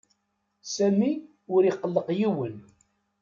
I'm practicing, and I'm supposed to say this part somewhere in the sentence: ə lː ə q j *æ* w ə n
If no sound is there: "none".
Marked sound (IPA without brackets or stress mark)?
i